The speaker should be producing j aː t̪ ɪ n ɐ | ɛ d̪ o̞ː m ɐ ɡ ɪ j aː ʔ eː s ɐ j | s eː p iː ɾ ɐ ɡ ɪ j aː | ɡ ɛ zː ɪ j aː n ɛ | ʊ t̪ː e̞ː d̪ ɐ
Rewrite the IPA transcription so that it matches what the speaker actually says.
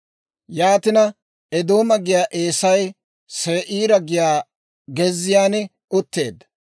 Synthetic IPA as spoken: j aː t̪ ɪ n ɐ | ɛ d̪ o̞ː m ɐ ɡ ɪ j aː ʔ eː s ɐ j | s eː ʔ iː ɾ ɐ ɡ ɪ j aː | ɡ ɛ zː ɪ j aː n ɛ | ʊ t̪ː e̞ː d̪ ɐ

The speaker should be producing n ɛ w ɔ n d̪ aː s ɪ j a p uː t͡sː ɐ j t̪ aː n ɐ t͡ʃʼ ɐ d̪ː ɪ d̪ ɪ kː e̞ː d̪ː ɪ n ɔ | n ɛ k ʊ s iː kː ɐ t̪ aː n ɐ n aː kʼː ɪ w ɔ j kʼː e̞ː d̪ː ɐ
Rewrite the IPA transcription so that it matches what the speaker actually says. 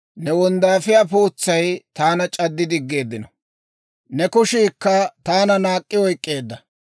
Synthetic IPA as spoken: n ɛ w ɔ n d̪ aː f ɪ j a p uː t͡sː ɐ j t̪ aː n ɐ t͡ʃʼ ɐ d̪ː ɪ d̪ ɪ ɡː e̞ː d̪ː ɪ n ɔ | n ɛ k ʊ ʃ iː kː ɐ t̪ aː n ɐ n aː kʼː ɪ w ɔ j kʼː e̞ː d̪ː ɐ

